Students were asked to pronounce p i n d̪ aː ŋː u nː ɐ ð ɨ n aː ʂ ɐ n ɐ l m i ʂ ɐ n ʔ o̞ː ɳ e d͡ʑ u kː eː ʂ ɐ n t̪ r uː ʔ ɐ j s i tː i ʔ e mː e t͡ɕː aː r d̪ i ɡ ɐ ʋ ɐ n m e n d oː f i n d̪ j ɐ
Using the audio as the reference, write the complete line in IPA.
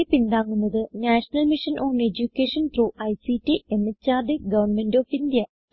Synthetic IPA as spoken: p i n d̪ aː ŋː u nː ɐ ð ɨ n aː ʂ ɐ n ɐ l m i ʂ ɐ n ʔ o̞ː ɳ e d͡ʑ u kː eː ʂ ɐ n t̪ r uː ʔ ɐ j s i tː i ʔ e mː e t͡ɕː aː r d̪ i ɡ ɐ ʋ ɐ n m e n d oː f i n d̪ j ɐ